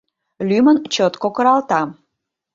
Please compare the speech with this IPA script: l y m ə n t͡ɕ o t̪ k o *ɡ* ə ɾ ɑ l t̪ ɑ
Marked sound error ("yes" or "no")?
yes